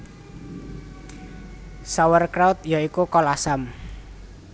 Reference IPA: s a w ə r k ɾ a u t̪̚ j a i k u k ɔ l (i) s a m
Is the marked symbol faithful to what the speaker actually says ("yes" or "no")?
no